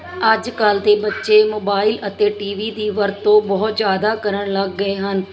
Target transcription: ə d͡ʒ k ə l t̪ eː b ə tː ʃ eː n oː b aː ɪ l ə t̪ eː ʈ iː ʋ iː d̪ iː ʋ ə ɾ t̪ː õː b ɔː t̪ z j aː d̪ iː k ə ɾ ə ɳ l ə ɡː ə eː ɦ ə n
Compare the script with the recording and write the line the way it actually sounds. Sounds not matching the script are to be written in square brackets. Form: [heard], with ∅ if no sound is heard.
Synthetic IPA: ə d͡ʒ k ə l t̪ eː b ə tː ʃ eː [m] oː b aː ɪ l ə t̪ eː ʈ iː ʋ iː d̪ iː ʋ ə ɾ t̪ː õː b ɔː t̪ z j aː d̪ [aː] k ə ɾ ə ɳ l ə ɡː ə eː ɦ ə n